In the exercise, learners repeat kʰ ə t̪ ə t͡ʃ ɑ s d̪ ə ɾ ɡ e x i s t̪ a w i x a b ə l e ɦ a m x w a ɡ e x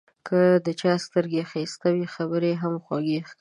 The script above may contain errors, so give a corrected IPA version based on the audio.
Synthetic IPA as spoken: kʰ ə d̪ ə t͡ʃ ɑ s t̪ ə ɾ ɡ e x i s t̪ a w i x a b ə ɾ e ɦ a m x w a ɡ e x